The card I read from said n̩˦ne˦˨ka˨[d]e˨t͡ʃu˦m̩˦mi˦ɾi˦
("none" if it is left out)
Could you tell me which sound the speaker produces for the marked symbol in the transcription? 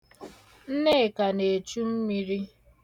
n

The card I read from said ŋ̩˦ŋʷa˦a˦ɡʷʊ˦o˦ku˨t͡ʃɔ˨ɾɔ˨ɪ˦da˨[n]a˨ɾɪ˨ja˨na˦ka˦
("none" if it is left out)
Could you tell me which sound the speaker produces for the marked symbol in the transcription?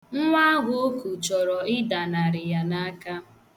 n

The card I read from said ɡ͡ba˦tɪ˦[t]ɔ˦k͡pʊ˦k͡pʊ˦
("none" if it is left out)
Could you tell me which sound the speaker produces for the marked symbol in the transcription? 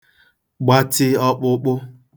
none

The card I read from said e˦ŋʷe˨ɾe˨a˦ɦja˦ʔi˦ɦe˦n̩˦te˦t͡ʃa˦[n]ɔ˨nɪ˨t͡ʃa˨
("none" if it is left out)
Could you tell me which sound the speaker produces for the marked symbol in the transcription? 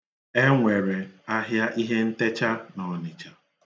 n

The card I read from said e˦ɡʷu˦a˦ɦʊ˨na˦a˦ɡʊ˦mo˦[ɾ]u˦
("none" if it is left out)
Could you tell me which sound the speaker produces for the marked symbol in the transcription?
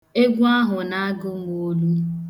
l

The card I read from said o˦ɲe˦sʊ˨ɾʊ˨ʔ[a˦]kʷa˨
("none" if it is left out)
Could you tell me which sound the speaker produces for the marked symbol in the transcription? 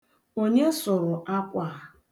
a˦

